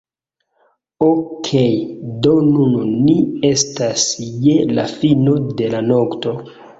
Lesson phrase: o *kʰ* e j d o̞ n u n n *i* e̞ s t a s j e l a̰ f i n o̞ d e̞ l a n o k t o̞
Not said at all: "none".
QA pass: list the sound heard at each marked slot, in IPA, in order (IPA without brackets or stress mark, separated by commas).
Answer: kʰ, i